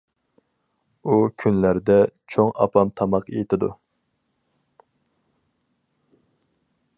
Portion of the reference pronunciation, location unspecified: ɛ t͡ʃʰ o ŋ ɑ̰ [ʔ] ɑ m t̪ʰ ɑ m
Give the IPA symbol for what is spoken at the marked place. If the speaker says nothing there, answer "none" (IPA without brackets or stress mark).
p